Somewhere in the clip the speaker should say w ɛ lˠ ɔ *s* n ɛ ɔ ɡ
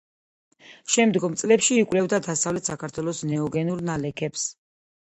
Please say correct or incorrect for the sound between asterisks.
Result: correct